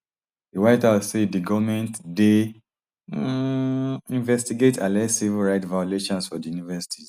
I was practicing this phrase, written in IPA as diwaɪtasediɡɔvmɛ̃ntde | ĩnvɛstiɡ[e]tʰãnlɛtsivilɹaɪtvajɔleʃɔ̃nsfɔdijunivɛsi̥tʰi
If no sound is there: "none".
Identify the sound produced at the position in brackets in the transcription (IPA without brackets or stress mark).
e